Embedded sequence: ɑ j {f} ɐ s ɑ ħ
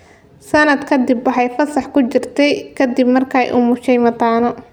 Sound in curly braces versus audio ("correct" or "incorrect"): correct